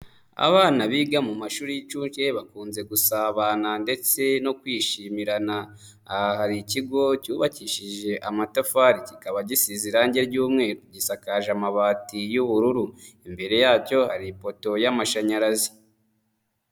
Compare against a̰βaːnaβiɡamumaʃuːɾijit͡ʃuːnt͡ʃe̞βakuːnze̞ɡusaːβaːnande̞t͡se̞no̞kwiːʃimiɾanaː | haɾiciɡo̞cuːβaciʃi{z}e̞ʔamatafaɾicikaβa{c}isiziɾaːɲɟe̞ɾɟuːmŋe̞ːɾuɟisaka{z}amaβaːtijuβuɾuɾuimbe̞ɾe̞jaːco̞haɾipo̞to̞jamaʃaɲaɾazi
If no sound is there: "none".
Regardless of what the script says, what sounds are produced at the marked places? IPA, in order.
ʒ, ɟ, ʒ

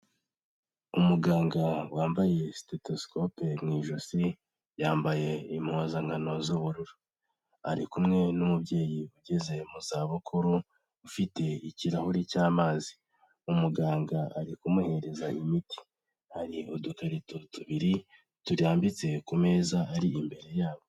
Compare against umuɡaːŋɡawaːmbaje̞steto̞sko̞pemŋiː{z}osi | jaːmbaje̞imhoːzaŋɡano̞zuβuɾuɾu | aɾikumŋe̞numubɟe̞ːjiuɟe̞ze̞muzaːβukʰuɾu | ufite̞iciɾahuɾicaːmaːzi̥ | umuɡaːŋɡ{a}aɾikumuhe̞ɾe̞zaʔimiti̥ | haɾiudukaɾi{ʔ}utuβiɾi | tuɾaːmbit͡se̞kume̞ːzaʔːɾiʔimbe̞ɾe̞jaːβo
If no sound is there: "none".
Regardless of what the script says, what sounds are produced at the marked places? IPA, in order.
ʒ, a, t

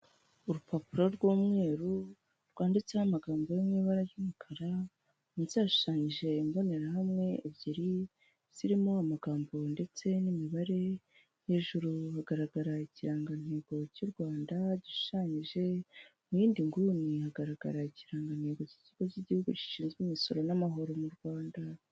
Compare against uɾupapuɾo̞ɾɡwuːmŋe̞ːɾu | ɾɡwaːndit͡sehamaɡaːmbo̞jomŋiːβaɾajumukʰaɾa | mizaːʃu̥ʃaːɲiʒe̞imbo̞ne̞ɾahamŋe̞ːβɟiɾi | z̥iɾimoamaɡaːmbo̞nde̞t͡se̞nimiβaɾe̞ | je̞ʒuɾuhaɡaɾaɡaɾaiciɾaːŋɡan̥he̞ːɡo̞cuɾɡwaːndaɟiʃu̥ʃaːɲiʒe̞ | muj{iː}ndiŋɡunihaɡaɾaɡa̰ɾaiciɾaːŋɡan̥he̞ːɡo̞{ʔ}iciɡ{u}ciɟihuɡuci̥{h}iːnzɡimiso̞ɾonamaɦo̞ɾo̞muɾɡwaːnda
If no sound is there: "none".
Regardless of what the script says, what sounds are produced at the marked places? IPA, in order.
iː, c, o, ʃ

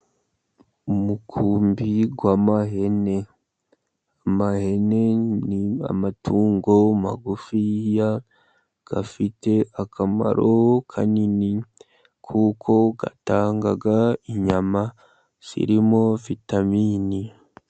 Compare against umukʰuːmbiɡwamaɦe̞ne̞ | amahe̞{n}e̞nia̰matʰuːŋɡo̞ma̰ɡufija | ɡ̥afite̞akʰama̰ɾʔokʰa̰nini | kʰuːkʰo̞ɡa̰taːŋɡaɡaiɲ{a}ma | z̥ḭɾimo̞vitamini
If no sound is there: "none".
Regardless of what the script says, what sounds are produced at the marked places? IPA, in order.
n, a

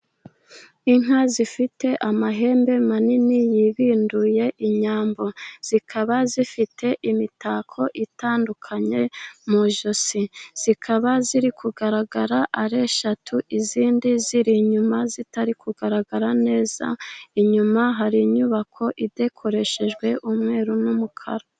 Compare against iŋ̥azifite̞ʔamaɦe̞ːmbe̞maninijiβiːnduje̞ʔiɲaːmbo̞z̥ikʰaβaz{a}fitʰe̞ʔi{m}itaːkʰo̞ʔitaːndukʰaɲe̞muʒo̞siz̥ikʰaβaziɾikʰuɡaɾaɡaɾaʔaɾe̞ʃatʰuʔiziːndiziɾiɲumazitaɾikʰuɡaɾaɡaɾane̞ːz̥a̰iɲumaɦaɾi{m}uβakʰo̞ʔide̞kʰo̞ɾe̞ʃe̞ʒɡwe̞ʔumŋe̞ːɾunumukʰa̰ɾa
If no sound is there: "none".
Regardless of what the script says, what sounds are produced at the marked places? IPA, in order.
i, m, ɲ

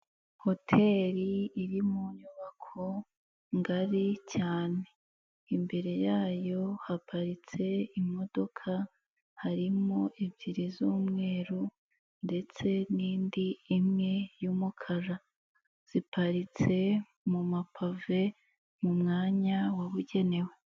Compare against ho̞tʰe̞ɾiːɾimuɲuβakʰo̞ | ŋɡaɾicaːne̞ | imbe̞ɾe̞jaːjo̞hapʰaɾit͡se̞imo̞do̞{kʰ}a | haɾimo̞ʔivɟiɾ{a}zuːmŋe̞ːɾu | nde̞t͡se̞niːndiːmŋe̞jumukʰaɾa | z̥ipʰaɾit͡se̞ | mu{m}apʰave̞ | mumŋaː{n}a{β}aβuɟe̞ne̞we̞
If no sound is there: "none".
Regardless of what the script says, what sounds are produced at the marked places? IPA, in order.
kʰ, i, m, ɲ, w

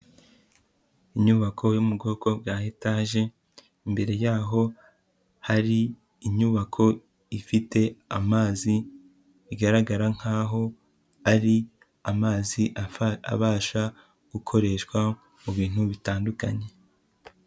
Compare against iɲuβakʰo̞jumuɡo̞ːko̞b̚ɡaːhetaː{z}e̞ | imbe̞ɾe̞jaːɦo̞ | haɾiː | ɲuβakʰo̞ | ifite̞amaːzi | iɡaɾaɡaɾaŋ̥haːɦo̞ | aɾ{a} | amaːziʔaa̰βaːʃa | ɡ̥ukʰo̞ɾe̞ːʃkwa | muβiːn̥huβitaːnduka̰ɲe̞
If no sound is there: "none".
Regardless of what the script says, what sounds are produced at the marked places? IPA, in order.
ʒ, i

